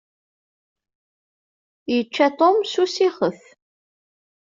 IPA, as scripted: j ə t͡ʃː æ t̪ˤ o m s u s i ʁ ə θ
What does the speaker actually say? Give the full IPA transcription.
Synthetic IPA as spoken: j ə t͡ʃː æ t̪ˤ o m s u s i χ ə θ